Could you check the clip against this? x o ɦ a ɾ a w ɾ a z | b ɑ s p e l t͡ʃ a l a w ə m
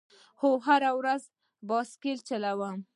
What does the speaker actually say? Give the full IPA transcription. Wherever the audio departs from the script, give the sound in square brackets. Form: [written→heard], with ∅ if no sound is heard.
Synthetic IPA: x o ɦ a ɾ a w ɾ a z | b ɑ s [p→k] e l t͡ʃ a l a w ə m